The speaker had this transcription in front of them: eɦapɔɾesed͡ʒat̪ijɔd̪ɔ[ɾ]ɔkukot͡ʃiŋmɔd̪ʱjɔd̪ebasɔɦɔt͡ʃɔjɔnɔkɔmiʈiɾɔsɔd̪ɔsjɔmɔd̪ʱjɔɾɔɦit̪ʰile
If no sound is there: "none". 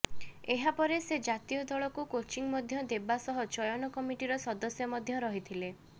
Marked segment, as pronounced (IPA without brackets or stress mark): ɭ